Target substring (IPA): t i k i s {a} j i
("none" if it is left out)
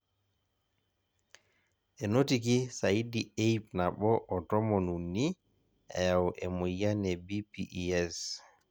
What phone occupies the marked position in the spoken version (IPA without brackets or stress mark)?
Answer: a